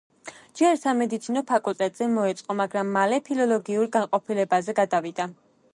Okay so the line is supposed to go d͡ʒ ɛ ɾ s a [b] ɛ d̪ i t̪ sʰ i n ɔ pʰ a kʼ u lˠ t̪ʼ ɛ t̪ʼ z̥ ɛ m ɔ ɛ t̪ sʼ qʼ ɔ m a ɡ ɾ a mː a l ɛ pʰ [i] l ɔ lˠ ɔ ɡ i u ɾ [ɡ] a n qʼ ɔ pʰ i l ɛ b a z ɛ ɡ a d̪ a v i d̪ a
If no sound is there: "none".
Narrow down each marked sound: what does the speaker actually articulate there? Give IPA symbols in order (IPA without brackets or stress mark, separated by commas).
m, i, ɡ